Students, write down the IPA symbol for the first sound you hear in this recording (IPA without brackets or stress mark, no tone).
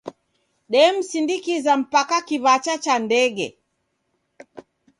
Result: ɗ